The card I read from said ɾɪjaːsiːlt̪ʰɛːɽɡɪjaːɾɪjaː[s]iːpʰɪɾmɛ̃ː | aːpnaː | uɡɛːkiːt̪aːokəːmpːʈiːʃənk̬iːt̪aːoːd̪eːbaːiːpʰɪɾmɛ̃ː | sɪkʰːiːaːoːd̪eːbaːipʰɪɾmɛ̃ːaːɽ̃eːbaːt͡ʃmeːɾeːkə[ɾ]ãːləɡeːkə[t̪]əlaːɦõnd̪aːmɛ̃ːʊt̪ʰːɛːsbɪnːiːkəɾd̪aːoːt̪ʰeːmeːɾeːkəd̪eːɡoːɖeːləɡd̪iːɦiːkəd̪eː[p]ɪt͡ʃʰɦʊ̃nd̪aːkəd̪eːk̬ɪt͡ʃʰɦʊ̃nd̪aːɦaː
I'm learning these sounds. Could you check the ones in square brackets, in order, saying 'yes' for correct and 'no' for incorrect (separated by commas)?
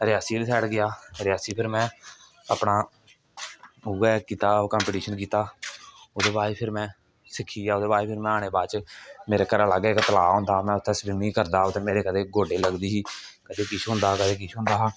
yes, yes, yes, no